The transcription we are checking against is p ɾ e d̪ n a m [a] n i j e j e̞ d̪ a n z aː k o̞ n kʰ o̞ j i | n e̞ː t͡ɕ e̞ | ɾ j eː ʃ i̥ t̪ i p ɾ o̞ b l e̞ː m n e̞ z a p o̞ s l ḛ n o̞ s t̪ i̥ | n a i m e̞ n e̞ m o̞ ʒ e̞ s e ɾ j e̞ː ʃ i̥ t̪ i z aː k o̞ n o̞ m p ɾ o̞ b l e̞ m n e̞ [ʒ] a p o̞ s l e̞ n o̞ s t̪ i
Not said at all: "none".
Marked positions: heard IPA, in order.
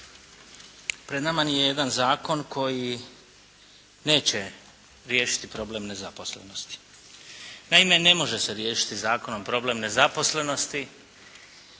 a, z

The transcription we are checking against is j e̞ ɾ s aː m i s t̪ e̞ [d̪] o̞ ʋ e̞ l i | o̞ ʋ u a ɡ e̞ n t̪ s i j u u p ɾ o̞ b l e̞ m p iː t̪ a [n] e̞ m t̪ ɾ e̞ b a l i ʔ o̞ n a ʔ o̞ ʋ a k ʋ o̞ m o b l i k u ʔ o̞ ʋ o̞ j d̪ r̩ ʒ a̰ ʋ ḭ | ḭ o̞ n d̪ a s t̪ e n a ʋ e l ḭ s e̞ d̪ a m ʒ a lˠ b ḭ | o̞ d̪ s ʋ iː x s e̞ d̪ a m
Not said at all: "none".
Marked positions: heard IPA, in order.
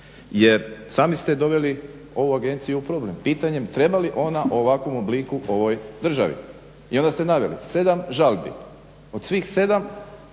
d̪, ɲ

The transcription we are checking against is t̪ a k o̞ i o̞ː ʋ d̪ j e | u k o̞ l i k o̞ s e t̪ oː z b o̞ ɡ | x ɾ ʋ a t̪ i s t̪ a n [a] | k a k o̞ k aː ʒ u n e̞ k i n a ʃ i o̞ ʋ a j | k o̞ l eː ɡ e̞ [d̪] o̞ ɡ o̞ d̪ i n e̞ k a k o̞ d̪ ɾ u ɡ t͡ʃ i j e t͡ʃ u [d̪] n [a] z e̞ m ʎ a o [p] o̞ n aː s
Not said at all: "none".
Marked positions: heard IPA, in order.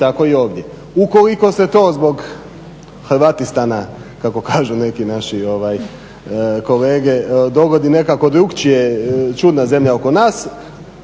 a, d̪, d̪, a, k

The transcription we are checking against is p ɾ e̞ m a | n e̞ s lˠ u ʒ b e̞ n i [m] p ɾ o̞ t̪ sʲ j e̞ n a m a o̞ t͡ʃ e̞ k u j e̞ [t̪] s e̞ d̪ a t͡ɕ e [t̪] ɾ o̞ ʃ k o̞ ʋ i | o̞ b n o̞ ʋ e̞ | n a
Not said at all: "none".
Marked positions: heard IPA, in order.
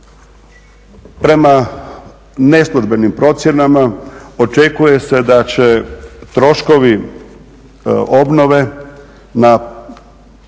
m, none, t̪

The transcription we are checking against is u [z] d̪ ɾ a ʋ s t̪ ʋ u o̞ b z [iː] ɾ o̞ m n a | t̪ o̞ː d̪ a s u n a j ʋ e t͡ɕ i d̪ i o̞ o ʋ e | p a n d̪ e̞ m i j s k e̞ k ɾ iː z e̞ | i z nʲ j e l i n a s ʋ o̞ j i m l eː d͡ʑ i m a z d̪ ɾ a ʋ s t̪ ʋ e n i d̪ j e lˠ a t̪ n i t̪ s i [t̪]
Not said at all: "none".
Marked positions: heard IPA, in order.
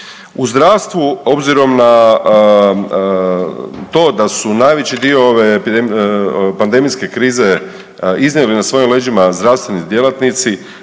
z, i, none

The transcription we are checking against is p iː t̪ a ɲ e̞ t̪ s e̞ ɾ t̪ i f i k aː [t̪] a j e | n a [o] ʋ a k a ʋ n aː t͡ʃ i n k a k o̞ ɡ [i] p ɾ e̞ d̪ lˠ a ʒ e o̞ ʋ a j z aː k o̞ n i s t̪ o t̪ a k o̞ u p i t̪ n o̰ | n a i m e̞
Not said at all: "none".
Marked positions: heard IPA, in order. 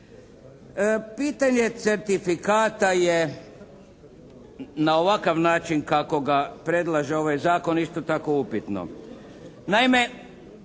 t̪, o, a

